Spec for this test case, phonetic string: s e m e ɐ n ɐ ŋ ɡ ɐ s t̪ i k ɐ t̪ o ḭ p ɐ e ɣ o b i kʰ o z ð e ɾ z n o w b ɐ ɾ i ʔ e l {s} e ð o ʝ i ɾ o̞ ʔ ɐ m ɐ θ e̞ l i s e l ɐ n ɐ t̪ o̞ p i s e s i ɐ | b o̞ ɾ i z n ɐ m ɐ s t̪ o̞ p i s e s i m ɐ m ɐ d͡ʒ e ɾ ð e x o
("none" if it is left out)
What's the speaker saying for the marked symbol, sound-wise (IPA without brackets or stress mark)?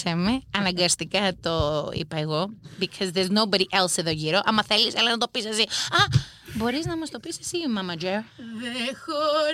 s